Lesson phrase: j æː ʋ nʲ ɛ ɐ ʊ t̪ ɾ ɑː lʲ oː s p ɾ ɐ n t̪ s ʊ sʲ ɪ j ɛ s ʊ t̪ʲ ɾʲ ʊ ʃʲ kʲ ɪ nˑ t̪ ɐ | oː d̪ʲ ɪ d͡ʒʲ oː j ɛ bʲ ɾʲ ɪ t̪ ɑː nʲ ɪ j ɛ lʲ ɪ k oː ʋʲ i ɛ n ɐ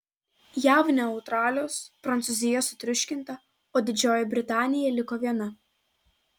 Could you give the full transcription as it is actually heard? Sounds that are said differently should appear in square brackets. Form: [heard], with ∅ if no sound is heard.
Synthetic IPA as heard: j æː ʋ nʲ ɛ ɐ ʊ t̪ ɾ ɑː lʲ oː s p ɾ ɐ n t̪ s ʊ [zʲ] ɪ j ɛ s ʊ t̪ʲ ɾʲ ʊ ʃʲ kʲ ɪ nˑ t̪ ɐ | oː d̪ʲ ɪ d͡ʒʲ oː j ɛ bʲ ɾʲ ɪ t̪ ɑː nʲ ɪ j ɛ lʲ ɪ k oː ʋʲ i ɛ n ɐ